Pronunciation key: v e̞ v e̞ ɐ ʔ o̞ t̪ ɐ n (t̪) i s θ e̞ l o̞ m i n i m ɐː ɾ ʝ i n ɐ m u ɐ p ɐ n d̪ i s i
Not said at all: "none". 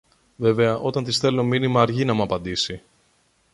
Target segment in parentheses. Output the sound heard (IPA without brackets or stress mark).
t̪